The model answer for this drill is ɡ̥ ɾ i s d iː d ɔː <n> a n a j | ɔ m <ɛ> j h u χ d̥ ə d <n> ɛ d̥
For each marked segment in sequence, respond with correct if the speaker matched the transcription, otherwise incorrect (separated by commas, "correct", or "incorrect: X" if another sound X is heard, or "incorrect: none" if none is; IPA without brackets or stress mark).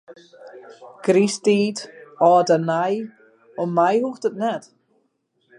incorrect: d, incorrect: a, correct